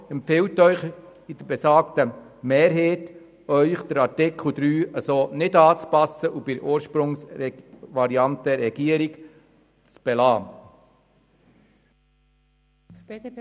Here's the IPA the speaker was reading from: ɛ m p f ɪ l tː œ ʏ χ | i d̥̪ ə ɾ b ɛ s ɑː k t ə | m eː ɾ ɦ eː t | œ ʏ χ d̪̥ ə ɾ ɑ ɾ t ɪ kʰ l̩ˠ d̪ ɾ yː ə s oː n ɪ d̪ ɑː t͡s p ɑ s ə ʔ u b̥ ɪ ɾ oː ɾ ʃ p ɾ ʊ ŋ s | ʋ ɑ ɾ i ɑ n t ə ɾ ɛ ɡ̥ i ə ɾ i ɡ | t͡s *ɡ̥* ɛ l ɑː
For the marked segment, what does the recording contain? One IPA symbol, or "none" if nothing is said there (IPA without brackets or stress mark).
b̥